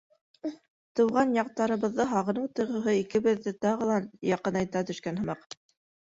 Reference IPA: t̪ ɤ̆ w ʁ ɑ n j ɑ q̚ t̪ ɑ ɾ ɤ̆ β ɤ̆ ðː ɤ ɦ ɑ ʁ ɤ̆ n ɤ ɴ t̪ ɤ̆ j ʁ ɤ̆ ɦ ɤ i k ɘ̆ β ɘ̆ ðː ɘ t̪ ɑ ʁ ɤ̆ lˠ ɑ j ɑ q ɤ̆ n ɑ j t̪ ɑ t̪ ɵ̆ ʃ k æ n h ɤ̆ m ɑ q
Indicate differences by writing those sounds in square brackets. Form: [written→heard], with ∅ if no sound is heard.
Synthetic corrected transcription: t̪ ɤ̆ w ʁ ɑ n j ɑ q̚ t̪ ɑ ɾ ɤ̆ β ɤ̆ ðː ɤ ɦ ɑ ʁ ɤ̆ n ɤ ɴ t̪ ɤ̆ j ʁ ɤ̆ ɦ ɤ i k ɘ̆ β ɘ̆ ðː ɘ t̪ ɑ ʁ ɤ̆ lˠ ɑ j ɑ q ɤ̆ n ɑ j t̪ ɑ t̪ ɵ̆ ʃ k æ n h ɤ̆ m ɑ q